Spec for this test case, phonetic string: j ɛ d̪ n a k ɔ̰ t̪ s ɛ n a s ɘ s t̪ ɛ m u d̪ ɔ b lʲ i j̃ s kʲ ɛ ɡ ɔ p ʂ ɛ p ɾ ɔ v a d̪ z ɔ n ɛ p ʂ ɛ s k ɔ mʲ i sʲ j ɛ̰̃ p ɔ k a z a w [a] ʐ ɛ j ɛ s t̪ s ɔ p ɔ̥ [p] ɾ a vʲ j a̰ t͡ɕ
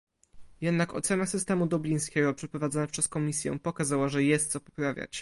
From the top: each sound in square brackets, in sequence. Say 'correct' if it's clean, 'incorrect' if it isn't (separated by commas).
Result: correct, correct